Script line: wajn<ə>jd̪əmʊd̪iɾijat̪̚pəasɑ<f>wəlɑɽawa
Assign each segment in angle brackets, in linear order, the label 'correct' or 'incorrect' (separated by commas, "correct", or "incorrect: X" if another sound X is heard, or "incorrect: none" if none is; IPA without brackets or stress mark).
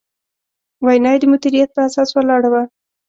incorrect: ɑ, incorrect: s